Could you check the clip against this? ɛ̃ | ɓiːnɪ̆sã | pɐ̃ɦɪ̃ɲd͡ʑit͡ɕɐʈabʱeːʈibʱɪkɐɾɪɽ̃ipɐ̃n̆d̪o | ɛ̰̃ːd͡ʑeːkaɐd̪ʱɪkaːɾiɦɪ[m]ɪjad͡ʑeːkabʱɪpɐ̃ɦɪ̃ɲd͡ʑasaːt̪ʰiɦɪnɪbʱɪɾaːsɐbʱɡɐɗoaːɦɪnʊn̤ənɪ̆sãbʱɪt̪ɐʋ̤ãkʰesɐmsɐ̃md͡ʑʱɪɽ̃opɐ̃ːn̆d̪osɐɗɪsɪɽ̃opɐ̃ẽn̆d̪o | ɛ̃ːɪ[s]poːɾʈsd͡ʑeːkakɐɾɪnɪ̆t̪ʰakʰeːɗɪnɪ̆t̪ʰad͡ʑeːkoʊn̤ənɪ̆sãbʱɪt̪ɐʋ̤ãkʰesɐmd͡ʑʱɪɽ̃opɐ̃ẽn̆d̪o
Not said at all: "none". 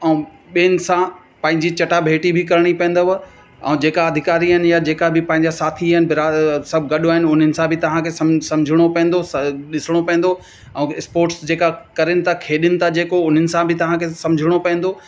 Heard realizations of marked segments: n, s

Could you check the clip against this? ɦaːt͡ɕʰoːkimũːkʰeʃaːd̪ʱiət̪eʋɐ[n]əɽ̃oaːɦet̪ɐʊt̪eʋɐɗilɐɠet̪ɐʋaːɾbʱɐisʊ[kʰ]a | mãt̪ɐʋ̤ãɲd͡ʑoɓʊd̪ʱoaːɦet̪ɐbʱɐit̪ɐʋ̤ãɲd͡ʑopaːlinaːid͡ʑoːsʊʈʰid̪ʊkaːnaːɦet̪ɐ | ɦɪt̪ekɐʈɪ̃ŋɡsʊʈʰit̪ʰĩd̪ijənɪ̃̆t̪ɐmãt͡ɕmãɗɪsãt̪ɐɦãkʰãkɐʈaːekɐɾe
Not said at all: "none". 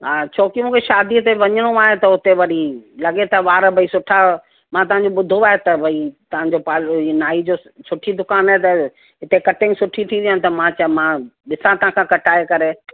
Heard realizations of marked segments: ɲ, ʈʰ

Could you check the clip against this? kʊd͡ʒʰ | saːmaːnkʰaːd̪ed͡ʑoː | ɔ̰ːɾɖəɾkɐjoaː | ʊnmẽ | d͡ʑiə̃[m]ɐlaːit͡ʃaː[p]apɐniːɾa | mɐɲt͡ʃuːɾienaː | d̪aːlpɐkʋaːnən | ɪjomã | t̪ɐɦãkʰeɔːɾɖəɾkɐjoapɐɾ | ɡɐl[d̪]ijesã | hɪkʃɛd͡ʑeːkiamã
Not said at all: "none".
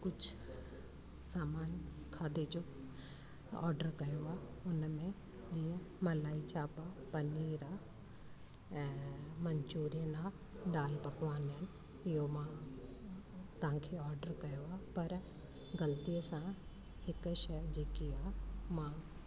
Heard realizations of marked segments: m, p, t̪

